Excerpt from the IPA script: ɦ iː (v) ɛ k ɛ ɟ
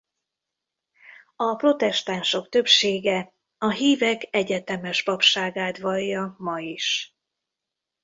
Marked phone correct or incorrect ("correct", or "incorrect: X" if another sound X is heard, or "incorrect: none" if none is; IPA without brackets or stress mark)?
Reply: correct